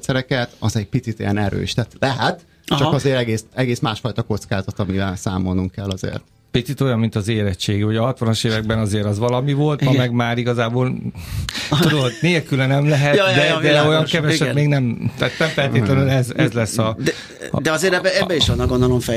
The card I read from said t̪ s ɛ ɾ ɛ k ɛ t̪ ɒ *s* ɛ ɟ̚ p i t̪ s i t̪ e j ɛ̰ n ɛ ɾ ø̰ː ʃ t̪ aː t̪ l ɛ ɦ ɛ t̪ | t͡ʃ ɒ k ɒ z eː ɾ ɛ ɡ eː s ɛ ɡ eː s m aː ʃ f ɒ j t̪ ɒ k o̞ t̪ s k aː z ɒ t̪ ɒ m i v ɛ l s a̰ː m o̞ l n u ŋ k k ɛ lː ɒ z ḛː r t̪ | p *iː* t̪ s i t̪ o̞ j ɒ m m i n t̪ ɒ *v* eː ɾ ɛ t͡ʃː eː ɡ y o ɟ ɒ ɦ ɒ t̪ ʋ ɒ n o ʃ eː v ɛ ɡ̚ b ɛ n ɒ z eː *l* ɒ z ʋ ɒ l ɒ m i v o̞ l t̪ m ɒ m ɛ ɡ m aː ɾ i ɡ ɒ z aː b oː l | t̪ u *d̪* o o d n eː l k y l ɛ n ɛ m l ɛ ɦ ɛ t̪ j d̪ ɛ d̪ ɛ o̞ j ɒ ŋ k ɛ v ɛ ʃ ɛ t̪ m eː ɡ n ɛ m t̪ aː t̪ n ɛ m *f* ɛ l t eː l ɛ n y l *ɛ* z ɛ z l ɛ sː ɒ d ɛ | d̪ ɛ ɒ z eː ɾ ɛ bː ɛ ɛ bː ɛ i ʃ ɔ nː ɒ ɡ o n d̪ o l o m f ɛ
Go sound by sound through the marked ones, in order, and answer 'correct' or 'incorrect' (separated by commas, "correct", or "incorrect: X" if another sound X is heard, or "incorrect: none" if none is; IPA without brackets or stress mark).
incorrect: z, incorrect: i, incorrect: z, incorrect: ɾ, correct, correct, correct